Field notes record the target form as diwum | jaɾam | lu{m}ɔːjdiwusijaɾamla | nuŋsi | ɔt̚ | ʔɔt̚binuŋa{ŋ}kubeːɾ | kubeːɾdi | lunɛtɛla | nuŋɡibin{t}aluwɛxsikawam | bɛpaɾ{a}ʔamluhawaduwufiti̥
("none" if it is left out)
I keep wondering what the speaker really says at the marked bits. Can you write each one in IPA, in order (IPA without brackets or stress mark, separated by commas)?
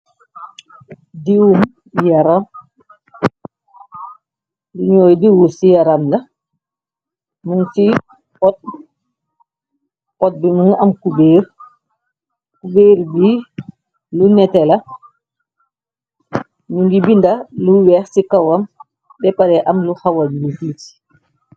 ɲ, m, d, ɛ